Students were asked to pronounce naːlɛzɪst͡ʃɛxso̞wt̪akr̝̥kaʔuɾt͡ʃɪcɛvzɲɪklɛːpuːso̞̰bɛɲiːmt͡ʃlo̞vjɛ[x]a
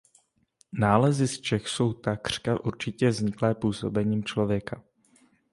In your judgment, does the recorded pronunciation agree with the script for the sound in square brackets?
no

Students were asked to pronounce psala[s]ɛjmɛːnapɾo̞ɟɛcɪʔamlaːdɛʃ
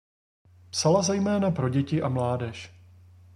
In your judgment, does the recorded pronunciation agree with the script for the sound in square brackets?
no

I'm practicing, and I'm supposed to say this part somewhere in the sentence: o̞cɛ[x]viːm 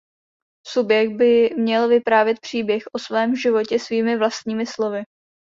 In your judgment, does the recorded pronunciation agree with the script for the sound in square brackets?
no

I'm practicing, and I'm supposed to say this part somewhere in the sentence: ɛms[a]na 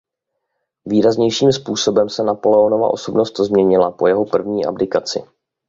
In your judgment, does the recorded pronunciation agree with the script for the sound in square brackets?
no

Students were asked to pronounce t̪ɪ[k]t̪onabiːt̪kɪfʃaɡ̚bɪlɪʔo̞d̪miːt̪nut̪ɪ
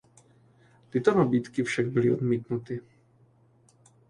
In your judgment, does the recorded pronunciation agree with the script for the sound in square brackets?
no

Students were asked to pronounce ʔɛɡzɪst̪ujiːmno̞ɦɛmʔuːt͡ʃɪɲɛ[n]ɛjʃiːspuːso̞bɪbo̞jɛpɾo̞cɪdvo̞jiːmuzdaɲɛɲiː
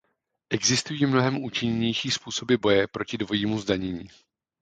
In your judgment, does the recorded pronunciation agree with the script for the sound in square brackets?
no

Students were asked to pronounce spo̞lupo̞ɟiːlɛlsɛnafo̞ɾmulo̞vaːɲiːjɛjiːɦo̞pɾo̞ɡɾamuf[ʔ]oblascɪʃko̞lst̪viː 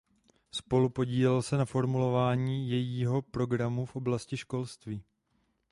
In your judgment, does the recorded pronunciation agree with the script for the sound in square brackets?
yes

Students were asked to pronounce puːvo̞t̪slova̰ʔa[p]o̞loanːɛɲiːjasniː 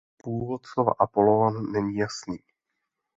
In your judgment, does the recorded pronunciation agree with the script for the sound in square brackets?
yes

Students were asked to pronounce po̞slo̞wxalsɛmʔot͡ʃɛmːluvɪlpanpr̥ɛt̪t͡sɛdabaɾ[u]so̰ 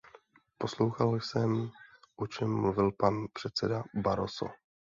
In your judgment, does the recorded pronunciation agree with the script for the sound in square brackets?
no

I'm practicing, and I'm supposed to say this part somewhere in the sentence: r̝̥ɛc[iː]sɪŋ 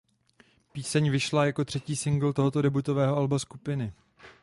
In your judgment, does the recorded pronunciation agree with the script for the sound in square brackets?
yes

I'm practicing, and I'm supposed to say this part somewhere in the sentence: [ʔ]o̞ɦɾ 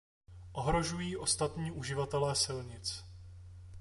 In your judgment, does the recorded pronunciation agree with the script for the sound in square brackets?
yes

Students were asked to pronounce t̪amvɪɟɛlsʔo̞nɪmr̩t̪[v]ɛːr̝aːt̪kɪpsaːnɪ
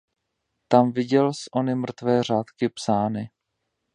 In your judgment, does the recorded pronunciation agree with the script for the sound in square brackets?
yes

